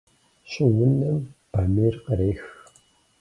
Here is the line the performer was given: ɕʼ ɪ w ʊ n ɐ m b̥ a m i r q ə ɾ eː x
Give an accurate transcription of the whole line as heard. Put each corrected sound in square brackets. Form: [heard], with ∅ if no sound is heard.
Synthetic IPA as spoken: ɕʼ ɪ w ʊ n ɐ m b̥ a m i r q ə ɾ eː x